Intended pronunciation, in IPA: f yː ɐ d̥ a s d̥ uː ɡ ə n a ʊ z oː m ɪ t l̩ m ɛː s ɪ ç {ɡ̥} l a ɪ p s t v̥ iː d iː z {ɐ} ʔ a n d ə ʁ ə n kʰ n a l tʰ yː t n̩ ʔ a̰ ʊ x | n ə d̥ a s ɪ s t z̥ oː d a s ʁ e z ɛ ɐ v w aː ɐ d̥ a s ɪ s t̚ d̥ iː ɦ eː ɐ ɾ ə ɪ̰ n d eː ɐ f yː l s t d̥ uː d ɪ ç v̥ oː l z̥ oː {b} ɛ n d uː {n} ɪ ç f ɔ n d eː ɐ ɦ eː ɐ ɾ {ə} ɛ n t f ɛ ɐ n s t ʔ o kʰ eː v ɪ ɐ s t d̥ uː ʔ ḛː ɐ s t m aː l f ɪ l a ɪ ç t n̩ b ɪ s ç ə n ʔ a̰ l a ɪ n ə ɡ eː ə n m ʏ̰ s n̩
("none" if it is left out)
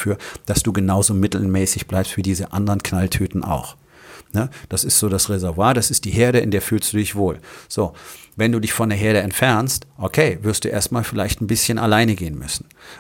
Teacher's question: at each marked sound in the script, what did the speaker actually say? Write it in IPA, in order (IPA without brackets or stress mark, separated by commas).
b̥, ə, v, d, ə